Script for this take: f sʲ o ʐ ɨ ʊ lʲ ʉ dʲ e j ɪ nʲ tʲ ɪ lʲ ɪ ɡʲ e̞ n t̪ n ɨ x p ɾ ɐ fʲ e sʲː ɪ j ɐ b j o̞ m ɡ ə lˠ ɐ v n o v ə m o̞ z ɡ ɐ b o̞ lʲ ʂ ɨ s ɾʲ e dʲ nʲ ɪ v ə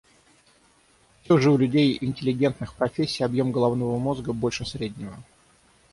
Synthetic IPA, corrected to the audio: f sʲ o ʐ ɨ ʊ lʲ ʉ dʲ e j ɪ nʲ tʲ ɪ lʲ ɪ ɡʲ e̞ n t̪ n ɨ x p ɾ ɐ fʲ e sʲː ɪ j ɐ b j o̞ m ɡ ə lˠ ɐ v n o v ə m o̞ z ɡ ə b o̞ lʲ ʂ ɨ s ɾʲ e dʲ nʲ ɪ v ə